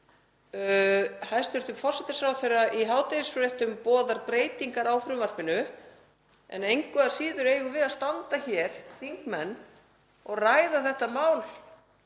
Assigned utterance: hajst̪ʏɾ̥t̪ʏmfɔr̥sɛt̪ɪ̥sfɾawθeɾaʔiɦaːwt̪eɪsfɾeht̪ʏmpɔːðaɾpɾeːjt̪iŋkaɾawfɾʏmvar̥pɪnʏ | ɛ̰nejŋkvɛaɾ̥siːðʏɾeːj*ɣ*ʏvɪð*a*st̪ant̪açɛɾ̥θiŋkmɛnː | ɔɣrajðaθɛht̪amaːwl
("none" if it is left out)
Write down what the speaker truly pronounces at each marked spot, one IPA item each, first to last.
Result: ɣ, a

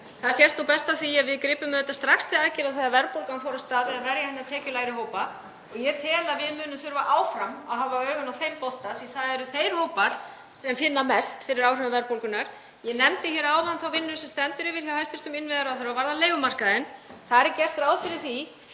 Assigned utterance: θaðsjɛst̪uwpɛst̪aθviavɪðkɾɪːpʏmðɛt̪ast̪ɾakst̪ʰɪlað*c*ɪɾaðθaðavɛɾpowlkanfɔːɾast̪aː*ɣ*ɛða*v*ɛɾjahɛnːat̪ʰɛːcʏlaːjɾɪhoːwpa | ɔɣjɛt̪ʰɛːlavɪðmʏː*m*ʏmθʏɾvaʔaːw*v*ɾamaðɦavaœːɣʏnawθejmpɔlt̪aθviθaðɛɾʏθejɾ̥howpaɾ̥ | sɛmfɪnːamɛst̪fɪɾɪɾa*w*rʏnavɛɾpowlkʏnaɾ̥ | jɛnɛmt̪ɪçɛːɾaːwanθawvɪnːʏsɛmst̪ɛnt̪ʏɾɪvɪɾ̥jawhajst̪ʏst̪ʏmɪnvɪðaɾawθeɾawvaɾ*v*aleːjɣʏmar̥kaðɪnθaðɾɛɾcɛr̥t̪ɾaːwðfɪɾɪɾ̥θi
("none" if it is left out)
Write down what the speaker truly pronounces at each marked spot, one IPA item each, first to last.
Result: c, ð, v, n, f, w, ð

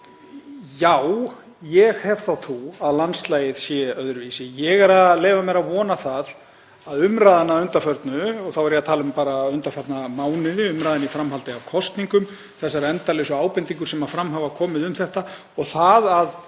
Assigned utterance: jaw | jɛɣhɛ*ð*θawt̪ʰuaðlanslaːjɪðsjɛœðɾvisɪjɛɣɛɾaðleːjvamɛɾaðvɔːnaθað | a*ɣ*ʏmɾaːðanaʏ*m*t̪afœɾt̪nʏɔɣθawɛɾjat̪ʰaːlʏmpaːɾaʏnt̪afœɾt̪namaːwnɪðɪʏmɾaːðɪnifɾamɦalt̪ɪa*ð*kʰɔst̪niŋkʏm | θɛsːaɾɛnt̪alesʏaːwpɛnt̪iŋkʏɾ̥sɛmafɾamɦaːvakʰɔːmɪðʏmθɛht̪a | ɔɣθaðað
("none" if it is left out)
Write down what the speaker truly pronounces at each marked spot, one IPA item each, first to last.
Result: v, ð, n, v

